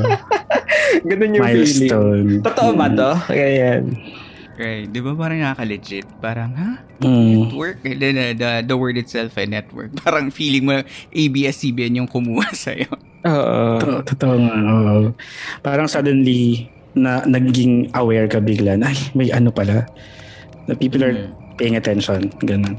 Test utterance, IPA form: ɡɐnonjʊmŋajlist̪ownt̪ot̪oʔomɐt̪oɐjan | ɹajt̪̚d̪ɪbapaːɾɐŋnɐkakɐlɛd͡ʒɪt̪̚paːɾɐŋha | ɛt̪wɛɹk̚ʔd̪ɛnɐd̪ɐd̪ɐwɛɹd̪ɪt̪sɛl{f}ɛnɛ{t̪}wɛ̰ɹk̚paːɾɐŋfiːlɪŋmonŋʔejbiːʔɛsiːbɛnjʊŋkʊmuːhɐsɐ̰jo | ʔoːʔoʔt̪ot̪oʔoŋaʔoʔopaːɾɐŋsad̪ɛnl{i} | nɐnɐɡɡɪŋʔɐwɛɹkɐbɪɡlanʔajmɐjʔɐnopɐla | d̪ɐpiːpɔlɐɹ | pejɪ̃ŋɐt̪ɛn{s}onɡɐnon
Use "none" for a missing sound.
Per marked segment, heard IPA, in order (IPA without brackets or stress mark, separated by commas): f, t̪, i, ʃ